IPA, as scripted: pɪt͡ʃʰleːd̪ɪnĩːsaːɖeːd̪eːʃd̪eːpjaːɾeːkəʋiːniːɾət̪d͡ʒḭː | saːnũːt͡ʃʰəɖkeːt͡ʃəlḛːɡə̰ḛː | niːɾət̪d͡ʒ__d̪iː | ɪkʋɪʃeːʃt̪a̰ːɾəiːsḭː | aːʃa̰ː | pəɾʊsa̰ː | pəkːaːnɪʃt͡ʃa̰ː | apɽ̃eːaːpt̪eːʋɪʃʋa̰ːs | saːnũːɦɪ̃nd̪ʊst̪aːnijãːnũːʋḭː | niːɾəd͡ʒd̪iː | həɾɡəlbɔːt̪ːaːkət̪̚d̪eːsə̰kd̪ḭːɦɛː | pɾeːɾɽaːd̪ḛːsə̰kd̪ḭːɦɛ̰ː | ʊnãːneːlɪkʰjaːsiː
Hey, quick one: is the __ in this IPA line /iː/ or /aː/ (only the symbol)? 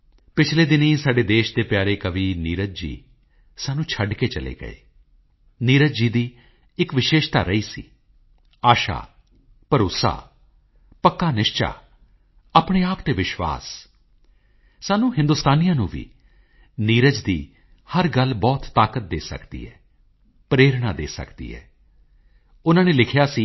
iː